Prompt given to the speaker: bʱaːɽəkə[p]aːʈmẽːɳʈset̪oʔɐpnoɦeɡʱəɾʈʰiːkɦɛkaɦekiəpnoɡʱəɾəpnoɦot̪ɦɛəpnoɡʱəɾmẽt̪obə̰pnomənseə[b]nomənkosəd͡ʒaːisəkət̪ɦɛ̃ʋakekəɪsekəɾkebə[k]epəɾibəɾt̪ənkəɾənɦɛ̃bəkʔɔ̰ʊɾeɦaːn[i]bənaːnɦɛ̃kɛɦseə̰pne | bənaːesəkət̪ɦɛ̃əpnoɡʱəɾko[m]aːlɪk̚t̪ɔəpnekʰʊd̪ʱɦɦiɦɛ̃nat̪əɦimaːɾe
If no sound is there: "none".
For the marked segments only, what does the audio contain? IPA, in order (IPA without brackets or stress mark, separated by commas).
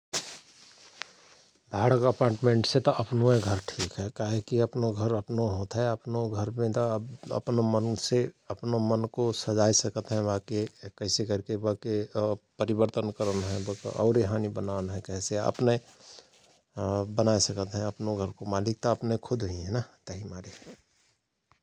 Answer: p, p, k, i, m